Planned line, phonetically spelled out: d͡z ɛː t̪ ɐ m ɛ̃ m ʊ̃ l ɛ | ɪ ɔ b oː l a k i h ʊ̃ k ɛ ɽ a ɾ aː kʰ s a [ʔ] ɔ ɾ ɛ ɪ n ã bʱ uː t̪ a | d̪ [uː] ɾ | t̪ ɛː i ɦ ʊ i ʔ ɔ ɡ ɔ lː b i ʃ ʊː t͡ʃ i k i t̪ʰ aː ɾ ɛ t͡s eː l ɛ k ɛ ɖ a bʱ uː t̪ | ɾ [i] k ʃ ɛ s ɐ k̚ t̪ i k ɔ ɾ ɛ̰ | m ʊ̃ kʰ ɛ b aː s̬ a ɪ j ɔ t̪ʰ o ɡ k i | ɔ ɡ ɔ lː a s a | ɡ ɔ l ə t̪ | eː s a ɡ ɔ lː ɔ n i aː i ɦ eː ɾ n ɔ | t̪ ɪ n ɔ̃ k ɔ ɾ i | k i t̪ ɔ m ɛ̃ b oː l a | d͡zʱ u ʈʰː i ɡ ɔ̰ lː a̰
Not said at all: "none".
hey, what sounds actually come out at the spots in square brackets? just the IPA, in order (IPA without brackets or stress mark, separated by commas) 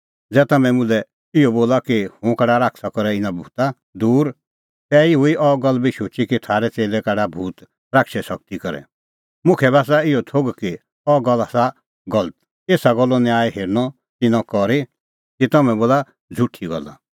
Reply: k, uː, a